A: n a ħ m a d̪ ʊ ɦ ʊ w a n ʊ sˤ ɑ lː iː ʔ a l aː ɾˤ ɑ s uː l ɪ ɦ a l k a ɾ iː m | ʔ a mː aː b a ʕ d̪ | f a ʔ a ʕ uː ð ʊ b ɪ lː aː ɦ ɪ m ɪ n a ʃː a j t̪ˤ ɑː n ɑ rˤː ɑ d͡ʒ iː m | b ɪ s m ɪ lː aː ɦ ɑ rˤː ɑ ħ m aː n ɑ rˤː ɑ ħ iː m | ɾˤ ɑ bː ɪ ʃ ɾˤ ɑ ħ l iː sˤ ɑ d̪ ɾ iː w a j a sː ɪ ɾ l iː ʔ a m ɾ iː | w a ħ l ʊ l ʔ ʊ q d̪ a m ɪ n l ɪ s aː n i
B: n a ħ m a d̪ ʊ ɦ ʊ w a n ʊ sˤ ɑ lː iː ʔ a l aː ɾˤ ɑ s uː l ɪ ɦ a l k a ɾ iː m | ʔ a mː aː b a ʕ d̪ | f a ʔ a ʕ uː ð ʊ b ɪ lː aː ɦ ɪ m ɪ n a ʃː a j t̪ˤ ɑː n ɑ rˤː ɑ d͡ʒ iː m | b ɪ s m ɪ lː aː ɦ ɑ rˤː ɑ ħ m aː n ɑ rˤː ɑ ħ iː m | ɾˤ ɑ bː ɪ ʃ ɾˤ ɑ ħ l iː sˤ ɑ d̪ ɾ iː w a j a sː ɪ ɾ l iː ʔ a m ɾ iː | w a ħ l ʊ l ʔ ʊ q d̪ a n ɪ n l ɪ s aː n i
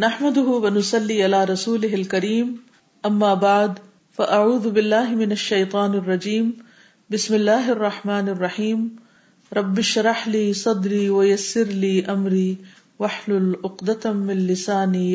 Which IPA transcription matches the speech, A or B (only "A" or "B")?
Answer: A